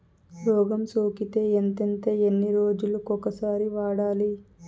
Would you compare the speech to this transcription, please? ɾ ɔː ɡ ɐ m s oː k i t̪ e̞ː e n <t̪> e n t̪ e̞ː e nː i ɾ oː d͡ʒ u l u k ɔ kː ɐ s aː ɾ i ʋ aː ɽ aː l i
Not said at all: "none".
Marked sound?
t̪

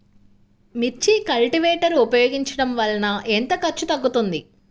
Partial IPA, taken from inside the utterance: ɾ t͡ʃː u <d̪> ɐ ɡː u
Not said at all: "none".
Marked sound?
t̪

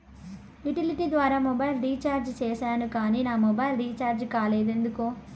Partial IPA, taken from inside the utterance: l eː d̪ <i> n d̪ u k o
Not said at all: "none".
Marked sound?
e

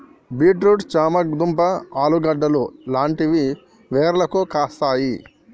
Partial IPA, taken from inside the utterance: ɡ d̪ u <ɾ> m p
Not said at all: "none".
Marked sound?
none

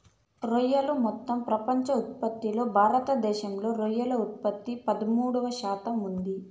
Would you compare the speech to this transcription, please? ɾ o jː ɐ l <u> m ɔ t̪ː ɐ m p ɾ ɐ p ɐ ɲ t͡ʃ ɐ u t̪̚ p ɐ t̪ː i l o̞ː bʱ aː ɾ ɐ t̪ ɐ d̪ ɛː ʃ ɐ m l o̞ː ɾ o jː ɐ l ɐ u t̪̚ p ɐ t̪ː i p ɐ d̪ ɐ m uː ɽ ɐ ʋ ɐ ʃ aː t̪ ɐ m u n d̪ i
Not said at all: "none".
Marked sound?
u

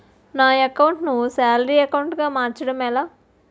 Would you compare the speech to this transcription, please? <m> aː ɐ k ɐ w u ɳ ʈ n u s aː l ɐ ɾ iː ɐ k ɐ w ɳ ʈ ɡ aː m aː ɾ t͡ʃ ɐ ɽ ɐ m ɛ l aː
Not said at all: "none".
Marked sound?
n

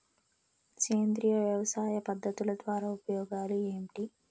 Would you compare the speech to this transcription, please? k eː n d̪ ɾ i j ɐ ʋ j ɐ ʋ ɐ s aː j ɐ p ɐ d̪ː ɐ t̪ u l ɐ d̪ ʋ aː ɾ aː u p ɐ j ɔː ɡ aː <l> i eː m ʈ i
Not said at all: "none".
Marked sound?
l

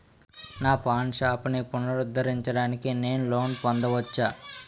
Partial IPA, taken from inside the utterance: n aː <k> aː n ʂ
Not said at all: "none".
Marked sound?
p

